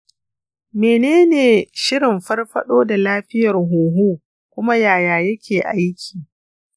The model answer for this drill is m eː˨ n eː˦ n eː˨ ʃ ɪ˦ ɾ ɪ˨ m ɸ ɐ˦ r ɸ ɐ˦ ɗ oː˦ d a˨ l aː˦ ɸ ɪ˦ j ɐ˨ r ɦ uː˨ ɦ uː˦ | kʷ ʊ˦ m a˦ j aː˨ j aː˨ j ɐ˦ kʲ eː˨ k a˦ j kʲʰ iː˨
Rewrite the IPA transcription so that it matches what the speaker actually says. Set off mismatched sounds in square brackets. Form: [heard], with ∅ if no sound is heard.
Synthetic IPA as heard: m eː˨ n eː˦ n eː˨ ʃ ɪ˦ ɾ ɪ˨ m ɸ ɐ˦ r ɸ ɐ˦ ɗ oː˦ d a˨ l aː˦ ɸ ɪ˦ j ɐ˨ r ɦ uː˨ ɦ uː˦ | kʷ ʊ˦ m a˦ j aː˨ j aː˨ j ɐ˦ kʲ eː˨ [ʔ] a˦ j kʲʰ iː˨

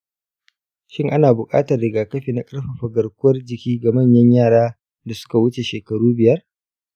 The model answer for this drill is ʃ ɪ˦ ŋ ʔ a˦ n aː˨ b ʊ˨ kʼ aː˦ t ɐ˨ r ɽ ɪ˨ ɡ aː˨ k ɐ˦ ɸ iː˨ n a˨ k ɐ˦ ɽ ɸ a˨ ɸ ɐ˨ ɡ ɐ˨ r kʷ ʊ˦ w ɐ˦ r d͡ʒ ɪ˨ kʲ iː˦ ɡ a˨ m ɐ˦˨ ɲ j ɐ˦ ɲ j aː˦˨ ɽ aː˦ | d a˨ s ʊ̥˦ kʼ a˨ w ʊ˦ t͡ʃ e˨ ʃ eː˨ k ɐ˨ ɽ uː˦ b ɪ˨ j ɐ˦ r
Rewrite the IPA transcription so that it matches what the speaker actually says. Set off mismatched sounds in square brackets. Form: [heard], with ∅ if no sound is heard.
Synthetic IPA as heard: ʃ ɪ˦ ŋ ʔ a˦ n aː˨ b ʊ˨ kʼ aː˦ t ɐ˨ r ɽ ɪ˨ ɡ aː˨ k ɐ˦ ɸ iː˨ n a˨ [kʼ] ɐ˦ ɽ ɸ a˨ ɸ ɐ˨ ɡ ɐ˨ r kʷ ʊ˦ w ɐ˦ r d͡ʒ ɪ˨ kʲ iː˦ ɡ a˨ m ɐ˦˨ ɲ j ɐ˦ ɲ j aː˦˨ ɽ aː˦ | d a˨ s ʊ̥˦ [k] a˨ w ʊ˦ t͡ʃ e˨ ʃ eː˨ k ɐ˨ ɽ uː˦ b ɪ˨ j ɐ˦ r

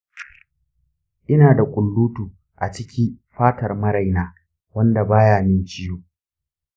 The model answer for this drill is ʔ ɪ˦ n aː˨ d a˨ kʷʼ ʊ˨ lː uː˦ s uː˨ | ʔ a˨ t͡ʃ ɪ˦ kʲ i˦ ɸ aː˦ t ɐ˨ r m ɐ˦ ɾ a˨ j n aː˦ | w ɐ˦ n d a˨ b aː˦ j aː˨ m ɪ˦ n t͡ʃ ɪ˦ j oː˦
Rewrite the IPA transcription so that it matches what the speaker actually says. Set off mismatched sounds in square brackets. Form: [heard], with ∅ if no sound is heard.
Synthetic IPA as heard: ʔ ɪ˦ n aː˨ d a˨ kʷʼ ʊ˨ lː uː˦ [t] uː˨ | ʔ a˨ t͡ʃ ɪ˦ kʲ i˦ ɸ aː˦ t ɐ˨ r m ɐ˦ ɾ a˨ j n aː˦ | w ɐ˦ n d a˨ b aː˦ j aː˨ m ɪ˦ n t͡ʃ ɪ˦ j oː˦

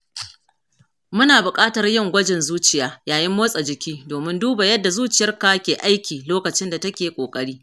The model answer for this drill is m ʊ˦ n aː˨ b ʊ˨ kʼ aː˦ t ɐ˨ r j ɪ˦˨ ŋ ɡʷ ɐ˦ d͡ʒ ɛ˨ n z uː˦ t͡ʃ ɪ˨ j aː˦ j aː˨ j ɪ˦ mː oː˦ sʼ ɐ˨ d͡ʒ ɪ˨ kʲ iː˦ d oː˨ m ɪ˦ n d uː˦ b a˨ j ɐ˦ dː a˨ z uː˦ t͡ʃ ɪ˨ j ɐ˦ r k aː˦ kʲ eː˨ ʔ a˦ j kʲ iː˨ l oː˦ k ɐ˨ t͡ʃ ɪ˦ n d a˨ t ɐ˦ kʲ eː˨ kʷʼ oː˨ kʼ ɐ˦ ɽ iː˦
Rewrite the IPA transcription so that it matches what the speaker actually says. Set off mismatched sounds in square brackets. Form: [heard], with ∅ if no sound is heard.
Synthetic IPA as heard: m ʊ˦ n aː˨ b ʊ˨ kʼ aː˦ t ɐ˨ r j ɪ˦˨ ŋ ɡʷ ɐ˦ d͡ʒ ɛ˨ n z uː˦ t͡ʃ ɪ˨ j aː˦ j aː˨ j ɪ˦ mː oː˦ sʼ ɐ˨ d͡ʒ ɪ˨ kʲ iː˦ d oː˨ m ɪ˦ n d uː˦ b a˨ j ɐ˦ dː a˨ z uː˦ t͡ʃ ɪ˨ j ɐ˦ r k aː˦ kʲ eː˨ ʔ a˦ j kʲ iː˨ l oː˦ k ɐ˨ t͡ʃ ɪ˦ n d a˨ t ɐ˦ kʲ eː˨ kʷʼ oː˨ kʼ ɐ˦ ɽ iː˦

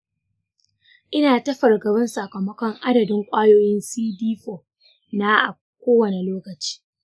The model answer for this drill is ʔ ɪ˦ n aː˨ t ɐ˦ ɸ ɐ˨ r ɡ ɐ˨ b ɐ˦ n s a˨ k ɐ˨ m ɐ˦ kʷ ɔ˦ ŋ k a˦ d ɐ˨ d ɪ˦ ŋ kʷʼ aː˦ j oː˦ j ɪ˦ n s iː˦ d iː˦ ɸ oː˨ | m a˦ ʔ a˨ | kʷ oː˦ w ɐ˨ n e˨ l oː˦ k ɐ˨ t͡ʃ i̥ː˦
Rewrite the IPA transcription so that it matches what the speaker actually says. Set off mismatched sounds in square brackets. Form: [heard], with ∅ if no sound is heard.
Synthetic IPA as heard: ʔ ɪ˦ n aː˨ t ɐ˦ ɸ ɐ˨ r ɡ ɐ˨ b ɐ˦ n s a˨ k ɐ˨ m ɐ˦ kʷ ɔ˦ ŋ [ʔ] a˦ d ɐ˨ d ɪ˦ ŋ kʷʼ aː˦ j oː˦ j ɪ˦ n s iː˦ d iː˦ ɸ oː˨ | [n] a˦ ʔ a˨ | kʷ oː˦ w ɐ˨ n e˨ l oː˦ k ɐ˨ t͡ʃ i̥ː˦

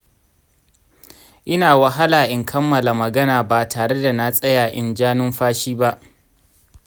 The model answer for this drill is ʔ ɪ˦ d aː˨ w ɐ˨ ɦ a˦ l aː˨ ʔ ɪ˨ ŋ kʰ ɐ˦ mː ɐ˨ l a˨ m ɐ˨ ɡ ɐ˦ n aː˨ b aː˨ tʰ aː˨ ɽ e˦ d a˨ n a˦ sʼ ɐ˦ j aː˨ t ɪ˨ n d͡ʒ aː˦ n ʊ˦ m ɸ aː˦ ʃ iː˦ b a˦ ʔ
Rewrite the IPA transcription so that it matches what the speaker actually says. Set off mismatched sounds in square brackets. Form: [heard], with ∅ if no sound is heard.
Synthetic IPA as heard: ʔ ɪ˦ [n] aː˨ w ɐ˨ ɦ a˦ l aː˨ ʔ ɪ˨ ŋ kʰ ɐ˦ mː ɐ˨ l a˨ m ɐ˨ ɡ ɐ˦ n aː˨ b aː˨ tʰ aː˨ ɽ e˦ d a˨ n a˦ sʼ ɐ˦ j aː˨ [ʔ] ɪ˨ n d͡ʒ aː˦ n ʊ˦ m ɸ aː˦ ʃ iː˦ b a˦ ʔ

